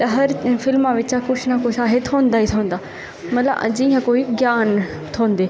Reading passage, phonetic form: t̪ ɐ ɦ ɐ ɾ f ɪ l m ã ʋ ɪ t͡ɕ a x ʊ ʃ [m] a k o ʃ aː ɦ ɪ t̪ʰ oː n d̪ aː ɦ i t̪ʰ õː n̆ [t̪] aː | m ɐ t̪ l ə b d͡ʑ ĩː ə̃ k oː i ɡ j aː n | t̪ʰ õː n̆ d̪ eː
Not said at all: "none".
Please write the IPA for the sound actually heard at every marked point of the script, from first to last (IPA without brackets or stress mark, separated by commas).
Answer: n, d̪